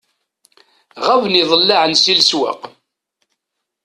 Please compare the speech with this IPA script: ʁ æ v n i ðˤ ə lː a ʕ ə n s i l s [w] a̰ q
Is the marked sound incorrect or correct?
correct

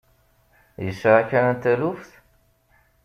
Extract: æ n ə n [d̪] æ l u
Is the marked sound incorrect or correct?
incorrect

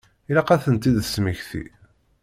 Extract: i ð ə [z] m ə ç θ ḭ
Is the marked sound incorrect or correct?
incorrect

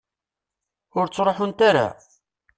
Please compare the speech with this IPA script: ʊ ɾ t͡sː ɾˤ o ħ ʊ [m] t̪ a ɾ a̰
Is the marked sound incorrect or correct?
incorrect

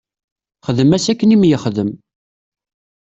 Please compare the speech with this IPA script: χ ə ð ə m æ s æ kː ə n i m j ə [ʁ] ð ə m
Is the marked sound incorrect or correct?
incorrect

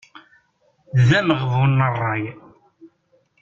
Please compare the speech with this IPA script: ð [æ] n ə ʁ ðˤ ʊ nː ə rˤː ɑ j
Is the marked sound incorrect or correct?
correct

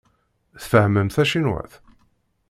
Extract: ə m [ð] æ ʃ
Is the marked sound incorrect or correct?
incorrect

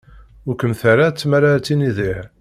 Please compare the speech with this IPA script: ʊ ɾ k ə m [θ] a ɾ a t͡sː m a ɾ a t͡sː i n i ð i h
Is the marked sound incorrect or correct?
correct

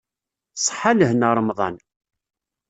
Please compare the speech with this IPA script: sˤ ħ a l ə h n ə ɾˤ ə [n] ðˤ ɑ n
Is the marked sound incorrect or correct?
incorrect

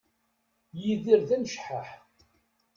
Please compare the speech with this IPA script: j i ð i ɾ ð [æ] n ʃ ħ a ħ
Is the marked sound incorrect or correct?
correct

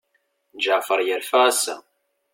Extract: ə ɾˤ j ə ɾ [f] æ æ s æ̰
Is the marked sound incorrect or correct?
correct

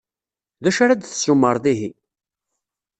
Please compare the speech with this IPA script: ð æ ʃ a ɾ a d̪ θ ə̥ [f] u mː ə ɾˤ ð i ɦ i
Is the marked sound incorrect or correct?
incorrect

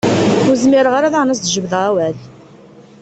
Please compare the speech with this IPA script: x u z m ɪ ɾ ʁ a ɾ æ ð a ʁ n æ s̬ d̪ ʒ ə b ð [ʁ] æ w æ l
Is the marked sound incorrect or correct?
correct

